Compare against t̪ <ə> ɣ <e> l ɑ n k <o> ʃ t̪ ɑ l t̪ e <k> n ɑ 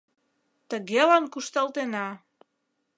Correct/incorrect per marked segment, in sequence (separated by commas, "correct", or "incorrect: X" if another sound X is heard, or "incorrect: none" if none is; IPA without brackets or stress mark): correct, correct, incorrect: u, incorrect: none